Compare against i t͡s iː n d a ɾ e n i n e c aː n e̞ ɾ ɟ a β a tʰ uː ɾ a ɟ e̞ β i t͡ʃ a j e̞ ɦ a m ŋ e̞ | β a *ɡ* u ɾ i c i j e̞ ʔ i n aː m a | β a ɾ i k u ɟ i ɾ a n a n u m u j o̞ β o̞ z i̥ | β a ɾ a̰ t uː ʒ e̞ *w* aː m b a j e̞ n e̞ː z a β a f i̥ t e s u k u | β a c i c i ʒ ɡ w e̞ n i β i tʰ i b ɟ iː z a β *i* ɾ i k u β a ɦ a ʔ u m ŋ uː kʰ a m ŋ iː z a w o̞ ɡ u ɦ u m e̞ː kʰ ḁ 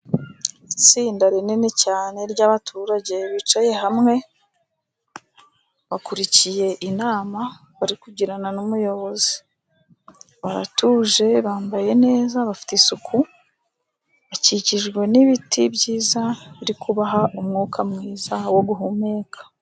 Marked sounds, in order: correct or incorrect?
incorrect, incorrect, correct

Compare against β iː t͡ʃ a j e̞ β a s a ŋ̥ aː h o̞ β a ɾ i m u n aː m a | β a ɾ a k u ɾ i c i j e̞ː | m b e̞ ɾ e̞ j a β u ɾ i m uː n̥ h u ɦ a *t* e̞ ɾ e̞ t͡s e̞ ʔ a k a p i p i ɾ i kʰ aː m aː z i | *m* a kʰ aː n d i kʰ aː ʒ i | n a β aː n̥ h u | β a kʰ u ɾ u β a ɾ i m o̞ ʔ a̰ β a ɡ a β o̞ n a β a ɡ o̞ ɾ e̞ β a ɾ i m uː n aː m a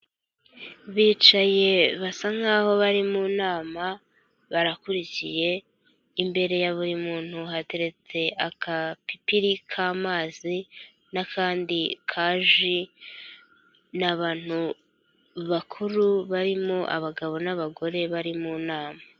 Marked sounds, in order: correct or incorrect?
correct, incorrect

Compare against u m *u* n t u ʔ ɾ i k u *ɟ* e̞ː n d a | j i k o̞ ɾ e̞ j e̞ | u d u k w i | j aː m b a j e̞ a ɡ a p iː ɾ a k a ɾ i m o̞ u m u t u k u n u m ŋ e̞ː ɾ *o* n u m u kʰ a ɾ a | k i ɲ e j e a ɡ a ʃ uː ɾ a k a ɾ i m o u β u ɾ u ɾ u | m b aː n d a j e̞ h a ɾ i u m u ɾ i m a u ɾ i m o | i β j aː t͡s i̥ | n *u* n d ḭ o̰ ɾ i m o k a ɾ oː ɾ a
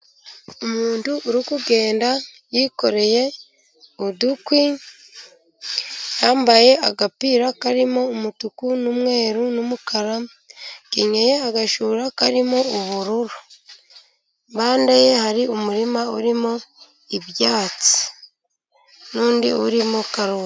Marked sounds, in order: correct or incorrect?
incorrect, incorrect, incorrect, incorrect

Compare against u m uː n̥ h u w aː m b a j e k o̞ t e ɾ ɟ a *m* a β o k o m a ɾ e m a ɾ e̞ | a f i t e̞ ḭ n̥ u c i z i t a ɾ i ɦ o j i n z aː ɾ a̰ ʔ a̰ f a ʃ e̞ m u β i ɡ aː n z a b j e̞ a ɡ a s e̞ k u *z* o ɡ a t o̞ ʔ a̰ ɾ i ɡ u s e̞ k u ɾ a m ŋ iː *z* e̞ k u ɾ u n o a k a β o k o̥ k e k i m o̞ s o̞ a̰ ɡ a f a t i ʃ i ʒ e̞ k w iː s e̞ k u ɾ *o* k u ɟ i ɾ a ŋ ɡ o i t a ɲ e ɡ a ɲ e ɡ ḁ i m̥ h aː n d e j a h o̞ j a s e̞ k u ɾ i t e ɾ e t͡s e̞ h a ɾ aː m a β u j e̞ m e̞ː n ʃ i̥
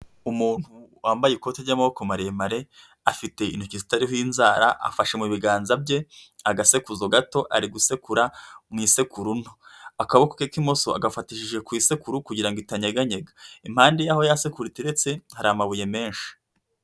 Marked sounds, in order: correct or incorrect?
correct, correct, incorrect, incorrect

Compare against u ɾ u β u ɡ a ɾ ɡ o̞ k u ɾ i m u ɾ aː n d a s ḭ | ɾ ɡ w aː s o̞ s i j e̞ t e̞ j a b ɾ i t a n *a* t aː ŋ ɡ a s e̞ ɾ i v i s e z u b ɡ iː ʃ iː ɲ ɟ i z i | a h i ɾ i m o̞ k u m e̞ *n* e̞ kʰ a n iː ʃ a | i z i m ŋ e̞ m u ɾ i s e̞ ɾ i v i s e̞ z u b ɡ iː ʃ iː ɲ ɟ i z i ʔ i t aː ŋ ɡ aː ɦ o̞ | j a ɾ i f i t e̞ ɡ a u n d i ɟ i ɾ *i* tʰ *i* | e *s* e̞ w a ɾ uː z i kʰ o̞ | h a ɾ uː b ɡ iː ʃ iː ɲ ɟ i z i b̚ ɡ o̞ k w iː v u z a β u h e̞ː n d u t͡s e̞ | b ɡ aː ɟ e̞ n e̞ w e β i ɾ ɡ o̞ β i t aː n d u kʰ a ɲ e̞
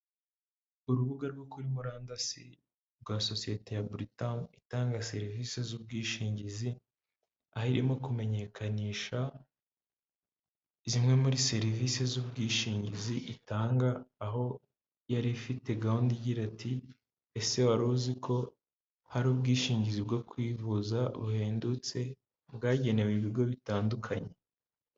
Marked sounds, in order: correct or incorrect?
incorrect, incorrect, incorrect, correct, correct

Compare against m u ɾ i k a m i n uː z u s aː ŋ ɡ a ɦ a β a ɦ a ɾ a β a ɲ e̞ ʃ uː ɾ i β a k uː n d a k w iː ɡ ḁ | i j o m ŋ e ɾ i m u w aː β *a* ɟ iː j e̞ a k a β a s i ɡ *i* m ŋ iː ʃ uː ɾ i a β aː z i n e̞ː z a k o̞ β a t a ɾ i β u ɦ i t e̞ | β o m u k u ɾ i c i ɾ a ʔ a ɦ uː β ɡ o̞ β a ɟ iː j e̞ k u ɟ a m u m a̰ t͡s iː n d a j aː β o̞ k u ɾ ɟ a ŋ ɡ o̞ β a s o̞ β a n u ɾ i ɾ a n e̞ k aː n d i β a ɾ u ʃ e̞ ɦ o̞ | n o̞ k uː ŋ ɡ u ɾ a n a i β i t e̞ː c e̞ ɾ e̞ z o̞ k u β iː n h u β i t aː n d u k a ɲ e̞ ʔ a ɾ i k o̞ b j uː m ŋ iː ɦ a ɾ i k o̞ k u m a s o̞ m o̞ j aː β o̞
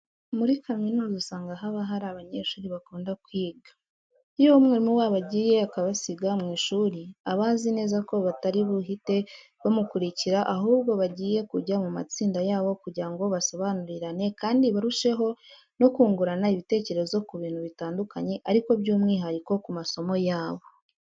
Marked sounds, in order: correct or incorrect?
correct, incorrect

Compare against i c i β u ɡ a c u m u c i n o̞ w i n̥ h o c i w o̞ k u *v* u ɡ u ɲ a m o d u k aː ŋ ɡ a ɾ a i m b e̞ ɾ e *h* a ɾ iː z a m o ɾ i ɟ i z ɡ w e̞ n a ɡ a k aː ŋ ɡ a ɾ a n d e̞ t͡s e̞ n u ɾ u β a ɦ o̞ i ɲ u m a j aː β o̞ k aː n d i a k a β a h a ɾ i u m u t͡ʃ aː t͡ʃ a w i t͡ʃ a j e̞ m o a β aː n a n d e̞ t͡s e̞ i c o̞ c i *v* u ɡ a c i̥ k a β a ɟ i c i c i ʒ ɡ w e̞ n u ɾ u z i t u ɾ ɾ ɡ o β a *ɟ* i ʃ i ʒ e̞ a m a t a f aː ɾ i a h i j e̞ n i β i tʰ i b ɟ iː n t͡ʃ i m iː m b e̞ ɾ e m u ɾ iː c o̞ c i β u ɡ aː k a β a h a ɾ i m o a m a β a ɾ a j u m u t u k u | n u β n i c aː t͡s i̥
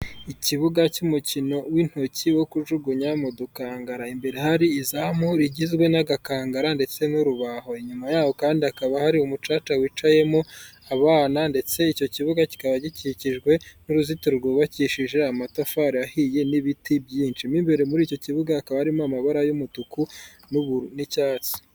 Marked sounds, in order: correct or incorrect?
incorrect, correct, incorrect, incorrect

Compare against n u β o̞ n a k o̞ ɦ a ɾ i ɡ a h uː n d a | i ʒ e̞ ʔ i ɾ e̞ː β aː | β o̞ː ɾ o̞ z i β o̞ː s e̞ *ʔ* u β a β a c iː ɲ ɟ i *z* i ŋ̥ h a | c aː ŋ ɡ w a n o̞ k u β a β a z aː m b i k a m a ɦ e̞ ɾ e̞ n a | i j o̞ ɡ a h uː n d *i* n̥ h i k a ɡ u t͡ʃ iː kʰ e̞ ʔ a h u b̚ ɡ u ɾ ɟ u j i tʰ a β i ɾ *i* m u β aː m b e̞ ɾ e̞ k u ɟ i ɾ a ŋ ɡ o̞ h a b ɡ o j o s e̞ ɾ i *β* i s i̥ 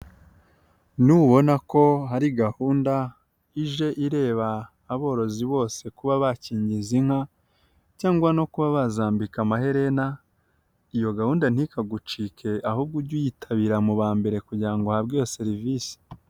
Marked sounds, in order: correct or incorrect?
incorrect, correct, incorrect, incorrect, incorrect

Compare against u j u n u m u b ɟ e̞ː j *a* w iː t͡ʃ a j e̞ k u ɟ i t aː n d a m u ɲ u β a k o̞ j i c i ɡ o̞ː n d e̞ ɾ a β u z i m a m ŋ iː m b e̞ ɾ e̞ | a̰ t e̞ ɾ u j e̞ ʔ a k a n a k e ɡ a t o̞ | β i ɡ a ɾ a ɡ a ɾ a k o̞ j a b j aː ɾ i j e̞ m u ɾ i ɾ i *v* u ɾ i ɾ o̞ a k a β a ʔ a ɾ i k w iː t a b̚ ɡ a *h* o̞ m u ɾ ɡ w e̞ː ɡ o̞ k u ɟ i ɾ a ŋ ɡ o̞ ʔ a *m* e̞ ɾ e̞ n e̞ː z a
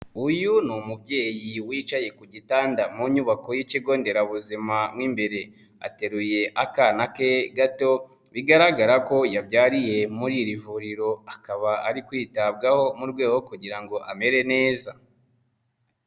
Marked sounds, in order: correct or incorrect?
incorrect, correct, correct, correct

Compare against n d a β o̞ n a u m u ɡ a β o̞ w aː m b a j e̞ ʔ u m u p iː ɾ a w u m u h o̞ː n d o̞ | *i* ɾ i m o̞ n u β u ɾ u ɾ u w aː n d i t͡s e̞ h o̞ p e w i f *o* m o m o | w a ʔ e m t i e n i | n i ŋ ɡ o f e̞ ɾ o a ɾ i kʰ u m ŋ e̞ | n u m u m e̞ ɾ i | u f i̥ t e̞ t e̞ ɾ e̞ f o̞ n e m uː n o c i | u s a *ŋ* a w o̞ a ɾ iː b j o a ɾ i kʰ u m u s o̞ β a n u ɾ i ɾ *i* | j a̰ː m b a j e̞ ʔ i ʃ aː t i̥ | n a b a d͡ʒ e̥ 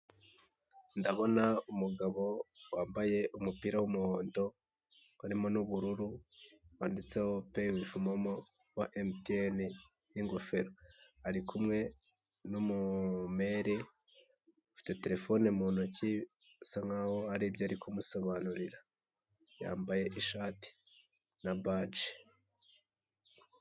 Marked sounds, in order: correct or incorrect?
incorrect, incorrect, correct, incorrect

